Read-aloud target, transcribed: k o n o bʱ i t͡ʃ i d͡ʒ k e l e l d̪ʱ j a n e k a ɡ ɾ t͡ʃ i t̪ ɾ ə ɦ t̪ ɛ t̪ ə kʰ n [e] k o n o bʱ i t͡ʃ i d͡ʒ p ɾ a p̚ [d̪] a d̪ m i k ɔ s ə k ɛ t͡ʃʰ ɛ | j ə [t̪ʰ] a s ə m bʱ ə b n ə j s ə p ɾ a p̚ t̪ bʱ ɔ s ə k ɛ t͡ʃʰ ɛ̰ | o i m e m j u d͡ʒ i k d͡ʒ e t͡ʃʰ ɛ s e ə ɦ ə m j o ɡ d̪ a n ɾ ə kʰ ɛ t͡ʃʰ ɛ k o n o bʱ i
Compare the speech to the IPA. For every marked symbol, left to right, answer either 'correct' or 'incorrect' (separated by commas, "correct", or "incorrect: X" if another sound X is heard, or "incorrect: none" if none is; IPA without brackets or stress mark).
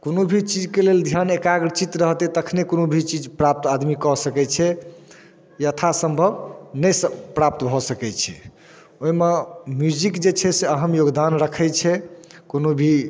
correct, incorrect: t̪, correct